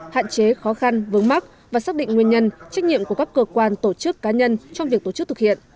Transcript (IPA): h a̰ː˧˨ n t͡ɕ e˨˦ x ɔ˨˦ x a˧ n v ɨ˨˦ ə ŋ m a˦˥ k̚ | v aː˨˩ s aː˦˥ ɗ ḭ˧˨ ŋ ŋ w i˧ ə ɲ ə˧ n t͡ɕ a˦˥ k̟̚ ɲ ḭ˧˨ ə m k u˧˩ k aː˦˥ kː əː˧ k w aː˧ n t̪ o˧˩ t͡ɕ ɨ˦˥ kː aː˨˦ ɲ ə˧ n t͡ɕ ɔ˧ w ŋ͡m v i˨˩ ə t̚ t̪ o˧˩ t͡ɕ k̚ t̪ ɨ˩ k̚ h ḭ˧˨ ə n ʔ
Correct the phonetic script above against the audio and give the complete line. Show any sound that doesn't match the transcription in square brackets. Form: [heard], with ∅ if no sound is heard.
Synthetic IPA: h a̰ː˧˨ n t͡ɕ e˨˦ x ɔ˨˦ x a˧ n v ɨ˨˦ ə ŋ m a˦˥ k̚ | v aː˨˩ s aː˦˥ ɗ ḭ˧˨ ŋ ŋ w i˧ ə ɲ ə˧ n t͡ɕ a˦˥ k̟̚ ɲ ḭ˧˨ ə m k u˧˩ k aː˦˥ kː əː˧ k w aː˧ n t̪ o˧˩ t͡ɕ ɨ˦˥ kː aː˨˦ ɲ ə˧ n t͡ɕ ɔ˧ w ŋ͡m v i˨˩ ə [k̚] t̪ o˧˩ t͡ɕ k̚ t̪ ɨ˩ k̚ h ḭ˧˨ ə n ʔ